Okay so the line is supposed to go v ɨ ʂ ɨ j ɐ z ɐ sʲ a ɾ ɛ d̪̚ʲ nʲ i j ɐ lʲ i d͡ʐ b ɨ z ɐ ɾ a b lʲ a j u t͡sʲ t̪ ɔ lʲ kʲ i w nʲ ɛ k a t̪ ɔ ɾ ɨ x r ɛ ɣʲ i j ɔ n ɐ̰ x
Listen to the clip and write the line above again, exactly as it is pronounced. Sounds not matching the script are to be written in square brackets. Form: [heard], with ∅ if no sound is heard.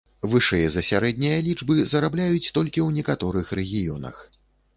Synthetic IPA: v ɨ ʂ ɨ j ɐ z ɐ sʲ a ɾ ɛ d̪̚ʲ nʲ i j ɐ lʲ i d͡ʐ b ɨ z ɐ ɾ a b lʲ a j u t͡sʲ t̪ ɔ lʲ kʲ i w nʲ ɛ k a t̪ ɔ ɾ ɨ x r ɛ ɣʲ i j ɔ n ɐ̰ x